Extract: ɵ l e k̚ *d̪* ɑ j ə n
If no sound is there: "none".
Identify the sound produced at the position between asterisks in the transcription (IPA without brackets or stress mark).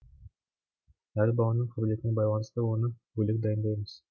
d̪